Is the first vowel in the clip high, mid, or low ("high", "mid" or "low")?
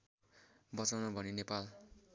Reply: mid